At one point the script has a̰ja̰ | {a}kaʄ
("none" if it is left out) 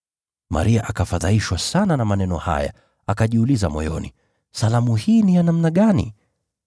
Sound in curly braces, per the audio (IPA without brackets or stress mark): a